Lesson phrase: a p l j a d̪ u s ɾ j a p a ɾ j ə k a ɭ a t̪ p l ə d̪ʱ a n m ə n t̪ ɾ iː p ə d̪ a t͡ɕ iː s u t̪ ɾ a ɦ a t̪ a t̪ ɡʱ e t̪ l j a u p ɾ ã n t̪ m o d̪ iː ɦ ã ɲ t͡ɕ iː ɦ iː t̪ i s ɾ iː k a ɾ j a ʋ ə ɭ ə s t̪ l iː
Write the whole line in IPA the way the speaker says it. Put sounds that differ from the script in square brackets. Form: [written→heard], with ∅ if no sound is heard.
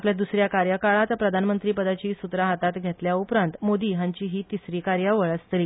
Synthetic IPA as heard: a p l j a d̪ u s ɾ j a [p→k] a ɾ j ə k a ɭ a t̪ p [l→ɾ] ə d̪ʱ a n m ə n t̪ ɾ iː p ə d̪ a t͡ɕ iː s u t̪ ɾ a ɦ a t̪ a t̪ ɡʱ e t̪ l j a u p ɾ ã n t̪ m o d̪ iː ɦ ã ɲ t͡ɕ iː ɦ iː t̪ i s ɾ iː k a ɾ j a ʋ ə ɭ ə s t̪ l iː